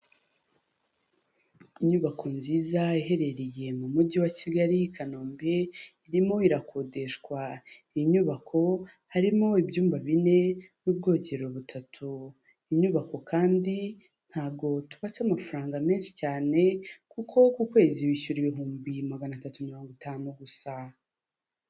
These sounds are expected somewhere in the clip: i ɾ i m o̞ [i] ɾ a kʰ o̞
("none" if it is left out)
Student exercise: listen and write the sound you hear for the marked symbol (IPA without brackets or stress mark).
i